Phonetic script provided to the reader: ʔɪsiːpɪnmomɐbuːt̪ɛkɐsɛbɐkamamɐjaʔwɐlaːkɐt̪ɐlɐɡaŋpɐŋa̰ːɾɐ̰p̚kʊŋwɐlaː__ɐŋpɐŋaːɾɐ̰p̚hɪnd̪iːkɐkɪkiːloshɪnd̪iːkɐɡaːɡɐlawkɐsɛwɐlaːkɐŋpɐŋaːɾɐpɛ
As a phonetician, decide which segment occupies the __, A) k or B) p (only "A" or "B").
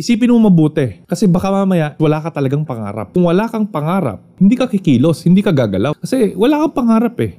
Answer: A